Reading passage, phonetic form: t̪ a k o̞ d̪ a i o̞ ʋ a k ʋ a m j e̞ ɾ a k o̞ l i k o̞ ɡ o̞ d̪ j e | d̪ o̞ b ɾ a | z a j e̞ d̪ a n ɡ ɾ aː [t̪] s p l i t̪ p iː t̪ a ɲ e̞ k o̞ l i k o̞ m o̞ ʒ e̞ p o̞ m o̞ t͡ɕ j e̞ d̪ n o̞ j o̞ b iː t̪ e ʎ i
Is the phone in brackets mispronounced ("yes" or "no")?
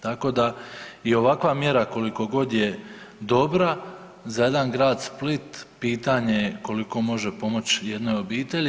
yes